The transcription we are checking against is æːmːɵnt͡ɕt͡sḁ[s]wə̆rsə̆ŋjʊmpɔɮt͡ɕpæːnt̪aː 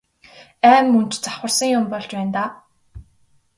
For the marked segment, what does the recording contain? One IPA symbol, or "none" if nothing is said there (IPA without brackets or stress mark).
χ